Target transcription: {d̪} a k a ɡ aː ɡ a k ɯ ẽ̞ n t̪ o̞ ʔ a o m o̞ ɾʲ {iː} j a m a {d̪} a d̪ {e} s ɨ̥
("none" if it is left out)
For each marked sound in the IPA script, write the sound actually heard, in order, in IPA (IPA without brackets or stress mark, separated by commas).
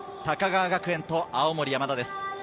t̪, i, d̪, e